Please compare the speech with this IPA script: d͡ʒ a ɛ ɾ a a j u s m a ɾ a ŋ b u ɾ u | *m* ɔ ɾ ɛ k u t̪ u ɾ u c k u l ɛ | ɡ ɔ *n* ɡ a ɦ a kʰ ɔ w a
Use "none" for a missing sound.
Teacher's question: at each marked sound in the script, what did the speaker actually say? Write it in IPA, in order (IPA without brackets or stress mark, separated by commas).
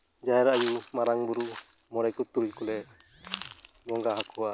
m, ŋ